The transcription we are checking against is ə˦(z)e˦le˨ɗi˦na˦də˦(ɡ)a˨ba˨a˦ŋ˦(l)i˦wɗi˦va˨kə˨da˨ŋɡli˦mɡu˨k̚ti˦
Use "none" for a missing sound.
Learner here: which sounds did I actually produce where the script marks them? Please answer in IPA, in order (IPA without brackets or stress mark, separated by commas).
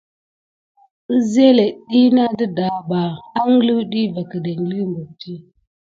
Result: z, d, l